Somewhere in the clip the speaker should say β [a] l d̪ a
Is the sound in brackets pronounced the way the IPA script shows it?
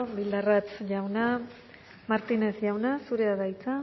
no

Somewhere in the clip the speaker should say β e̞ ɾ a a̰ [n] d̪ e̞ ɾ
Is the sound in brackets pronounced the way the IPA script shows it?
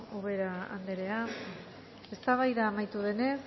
yes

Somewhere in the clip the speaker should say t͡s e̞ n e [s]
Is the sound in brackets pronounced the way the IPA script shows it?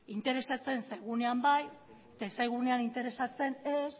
yes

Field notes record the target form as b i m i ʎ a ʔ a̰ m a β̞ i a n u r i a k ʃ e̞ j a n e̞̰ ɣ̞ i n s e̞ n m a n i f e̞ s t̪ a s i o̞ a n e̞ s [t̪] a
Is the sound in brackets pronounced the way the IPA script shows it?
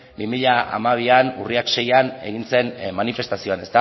yes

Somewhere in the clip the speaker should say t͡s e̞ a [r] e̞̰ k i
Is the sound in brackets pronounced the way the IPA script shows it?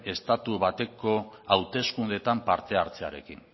no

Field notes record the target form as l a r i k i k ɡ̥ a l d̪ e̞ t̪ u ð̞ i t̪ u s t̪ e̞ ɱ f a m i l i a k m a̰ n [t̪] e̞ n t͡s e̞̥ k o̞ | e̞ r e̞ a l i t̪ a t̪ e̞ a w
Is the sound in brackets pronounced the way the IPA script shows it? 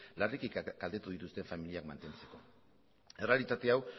yes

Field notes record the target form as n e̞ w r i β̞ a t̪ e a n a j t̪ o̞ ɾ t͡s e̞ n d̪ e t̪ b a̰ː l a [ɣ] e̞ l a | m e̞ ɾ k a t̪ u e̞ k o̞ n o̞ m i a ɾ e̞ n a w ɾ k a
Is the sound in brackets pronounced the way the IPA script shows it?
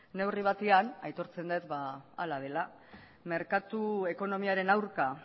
no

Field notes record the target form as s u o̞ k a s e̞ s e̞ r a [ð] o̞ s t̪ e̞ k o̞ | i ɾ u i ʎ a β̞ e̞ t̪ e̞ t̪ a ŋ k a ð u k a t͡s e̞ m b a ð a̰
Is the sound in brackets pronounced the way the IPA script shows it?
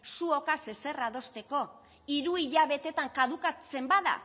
yes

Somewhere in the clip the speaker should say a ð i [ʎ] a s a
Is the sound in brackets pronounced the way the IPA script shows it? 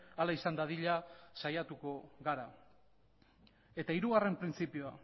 yes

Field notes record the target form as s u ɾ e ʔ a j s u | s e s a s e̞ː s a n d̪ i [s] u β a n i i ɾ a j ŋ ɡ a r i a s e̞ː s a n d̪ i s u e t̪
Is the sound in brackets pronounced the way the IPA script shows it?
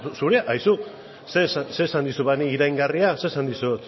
yes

